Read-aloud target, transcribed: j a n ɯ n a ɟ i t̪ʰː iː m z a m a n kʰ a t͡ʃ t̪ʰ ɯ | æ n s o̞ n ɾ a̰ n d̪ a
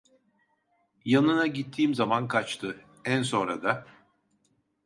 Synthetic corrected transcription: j a n ɯ n a ɟ i t̪ʰː iː m z a m a n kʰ a t͡ʃ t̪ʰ ɯ | æ n s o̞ n ɾ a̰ d̪ a